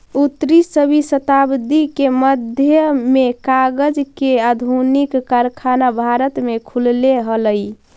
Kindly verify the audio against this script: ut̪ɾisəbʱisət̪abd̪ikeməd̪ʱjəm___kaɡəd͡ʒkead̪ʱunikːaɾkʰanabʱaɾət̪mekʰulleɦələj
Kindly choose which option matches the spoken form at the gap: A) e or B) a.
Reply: A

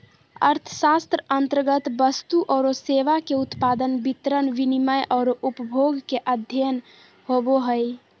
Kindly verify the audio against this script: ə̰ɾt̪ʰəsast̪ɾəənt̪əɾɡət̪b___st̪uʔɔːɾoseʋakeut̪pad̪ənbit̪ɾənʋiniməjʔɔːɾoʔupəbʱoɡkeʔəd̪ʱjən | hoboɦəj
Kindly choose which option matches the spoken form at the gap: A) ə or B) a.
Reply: A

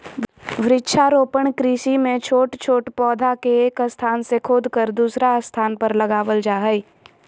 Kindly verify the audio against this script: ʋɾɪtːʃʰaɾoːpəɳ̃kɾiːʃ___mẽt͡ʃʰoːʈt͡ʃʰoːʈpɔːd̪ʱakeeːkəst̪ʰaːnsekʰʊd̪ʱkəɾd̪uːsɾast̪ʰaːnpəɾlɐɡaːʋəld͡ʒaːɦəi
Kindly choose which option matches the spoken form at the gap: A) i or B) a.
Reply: A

